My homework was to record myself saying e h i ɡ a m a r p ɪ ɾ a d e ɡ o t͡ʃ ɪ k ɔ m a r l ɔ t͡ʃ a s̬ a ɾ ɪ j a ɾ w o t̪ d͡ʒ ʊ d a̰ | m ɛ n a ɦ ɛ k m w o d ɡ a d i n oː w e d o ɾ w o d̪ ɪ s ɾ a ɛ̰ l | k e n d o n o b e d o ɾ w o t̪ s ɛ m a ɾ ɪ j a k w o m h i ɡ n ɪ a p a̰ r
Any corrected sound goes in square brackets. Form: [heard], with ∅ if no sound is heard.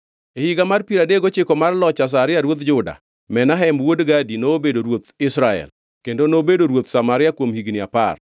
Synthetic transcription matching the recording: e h i ɡ a m a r p [i] ɾ a d e ɡ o t͡ʃ ɪ k ɔ m a r l ɔ t͡ʃ a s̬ a ɾ ɪ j a ɾ w o t̪ d͡ʒ ʊ d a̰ | m ɛ n a ɦ ɛ [∅] m w o d ɡ a d i n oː [b] e d o ɾ w o [t̪] ɪ s ɾ a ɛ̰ l | k e n d o n o b e d o ɾ w o t̪ s [a] m a ɾ ɪ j a k w o m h i ɡ n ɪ a p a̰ r